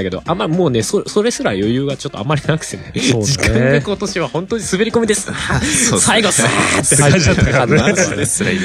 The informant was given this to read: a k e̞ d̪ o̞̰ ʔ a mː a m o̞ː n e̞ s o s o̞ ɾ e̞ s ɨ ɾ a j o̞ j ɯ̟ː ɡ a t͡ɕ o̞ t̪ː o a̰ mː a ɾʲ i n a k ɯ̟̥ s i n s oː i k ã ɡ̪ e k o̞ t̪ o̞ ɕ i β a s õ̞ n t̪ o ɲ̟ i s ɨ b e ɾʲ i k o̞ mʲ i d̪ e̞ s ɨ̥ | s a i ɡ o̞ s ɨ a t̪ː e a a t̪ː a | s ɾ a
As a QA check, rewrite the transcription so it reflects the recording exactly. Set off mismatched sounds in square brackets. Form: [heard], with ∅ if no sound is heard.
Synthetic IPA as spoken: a k e̞ d̪ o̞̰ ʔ a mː a m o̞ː n e̞ s o s o̞ ɾ e̞ s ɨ ɾ a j o̞ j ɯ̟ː ɡ a t͡ɕ o̞ t̪ː o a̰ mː a ɾʲ i n a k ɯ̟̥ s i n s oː i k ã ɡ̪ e k o̞ t̪ o̞ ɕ i β a [h] õ̞ n t̪ o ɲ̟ i s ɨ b e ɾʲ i k o̞ mʲ i d̪ e̞ s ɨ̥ | s a i ɡ o̞ s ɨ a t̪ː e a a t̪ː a | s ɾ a